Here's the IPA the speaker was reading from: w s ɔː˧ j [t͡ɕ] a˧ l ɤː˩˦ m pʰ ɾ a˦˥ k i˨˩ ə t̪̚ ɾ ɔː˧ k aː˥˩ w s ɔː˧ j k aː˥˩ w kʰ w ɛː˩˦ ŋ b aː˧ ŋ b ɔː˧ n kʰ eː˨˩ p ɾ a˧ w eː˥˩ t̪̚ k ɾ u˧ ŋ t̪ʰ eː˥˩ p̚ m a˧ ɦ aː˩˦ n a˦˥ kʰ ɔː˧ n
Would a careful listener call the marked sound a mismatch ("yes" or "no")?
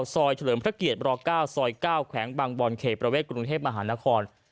yes